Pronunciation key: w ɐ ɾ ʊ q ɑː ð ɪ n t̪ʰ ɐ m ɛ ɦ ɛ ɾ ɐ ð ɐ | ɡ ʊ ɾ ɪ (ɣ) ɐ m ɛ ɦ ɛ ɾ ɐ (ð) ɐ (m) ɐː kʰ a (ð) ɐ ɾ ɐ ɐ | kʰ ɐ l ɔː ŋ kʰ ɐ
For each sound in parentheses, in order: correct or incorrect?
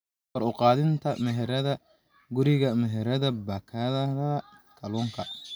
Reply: correct, correct, incorrect, correct

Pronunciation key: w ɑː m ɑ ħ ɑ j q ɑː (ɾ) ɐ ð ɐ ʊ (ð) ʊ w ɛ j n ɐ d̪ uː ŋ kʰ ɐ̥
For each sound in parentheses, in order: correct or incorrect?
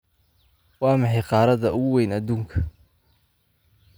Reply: correct, incorrect

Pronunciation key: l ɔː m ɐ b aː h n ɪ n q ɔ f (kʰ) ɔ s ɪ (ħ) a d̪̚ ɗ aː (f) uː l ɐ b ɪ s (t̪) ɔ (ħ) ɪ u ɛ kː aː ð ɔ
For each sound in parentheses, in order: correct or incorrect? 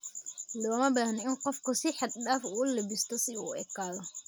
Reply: incorrect, correct, correct, correct, incorrect

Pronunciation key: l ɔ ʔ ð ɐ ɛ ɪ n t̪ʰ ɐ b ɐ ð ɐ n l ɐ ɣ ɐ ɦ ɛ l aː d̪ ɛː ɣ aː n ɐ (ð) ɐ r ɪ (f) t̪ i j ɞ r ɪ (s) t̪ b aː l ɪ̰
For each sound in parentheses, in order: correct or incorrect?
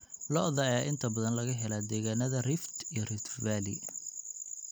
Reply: correct, correct, incorrect

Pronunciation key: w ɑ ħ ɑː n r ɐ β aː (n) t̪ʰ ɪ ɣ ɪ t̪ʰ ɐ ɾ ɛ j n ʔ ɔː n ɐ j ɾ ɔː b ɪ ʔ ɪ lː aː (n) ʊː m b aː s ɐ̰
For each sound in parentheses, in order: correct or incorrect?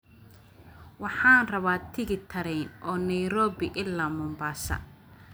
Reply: incorrect, incorrect

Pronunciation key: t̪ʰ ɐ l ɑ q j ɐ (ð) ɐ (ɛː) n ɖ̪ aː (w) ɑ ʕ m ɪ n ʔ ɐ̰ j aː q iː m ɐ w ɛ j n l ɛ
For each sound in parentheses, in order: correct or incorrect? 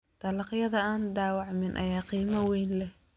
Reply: correct, incorrect, correct

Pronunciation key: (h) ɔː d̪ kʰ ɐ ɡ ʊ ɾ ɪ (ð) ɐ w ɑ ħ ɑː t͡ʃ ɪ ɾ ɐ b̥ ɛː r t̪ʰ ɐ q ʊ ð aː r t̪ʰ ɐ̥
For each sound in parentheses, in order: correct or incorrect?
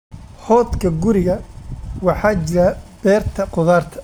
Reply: correct, incorrect

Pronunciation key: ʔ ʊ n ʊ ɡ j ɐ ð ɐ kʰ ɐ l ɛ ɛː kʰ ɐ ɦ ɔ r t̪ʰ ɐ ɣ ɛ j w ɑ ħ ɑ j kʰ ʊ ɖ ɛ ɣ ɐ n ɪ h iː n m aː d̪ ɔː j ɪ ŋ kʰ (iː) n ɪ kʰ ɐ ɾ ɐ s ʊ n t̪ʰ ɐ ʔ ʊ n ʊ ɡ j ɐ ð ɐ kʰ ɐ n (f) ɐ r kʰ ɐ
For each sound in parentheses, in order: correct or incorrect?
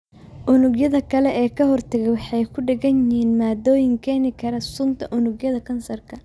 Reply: incorrect, incorrect

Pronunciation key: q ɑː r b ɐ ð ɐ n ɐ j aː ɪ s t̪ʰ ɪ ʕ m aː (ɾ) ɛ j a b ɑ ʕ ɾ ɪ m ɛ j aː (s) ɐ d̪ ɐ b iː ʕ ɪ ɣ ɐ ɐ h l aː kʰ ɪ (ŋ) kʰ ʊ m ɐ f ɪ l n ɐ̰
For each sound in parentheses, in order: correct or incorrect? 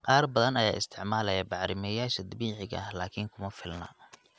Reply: incorrect, incorrect, correct

